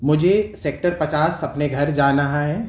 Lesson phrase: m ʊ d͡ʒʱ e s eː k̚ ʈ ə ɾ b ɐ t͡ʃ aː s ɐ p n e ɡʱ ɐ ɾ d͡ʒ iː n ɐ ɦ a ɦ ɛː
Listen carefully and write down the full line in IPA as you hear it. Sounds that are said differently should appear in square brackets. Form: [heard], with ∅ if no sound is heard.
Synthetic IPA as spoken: m ʊ d͡ʒʱ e s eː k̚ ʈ ə ɾ [p] ɐ t͡ʃ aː s ɐ p n e ɡʱ ɐ ɾ d͡ʒ [aː] n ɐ ɦ a ɦ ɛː